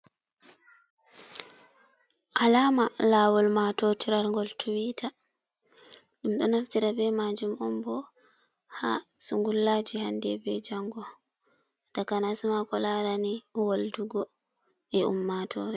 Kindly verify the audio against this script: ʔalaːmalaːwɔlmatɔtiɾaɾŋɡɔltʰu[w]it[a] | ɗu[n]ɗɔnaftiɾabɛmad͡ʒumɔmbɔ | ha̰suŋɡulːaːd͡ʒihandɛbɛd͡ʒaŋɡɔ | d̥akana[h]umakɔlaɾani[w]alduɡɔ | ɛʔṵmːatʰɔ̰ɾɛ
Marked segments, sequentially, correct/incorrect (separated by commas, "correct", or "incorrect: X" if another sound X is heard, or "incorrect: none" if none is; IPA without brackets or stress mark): correct, correct, incorrect: m, incorrect: s, correct